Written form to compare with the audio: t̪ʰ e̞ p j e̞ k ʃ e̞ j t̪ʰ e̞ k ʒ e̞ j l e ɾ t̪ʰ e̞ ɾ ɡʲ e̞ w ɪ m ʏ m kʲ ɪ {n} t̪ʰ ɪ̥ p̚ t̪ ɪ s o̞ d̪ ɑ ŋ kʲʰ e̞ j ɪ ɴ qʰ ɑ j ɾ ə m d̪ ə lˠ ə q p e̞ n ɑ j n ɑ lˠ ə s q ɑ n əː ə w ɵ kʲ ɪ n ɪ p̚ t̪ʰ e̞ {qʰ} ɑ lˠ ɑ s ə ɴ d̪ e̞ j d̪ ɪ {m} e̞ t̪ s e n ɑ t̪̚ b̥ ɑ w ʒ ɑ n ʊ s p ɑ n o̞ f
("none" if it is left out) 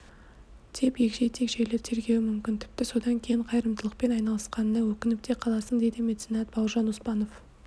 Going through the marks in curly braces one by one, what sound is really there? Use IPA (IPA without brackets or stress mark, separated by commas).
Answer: n, qʰ, m